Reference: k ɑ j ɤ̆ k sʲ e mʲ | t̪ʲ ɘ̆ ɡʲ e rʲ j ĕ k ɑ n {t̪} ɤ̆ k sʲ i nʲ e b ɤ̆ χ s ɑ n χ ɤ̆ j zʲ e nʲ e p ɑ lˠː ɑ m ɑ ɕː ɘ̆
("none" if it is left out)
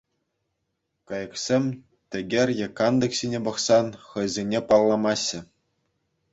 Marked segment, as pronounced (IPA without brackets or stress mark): d̪